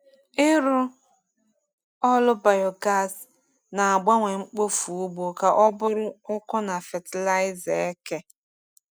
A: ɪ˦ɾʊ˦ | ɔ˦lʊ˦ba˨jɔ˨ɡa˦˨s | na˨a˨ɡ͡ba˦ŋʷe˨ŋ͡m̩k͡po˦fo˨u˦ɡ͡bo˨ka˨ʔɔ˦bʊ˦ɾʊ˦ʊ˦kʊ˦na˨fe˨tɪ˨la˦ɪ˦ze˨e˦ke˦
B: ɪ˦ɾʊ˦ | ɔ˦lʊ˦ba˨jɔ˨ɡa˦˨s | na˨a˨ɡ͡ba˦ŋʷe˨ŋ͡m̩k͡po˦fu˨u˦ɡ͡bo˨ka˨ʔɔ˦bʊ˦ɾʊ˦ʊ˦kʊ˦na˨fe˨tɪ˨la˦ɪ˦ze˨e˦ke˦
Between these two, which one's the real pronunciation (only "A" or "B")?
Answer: B